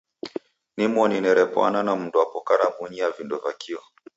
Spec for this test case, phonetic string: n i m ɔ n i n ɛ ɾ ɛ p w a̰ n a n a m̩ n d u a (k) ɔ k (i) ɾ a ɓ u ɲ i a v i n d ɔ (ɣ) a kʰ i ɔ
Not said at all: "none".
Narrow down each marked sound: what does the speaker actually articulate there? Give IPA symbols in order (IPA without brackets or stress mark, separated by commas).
p, a, v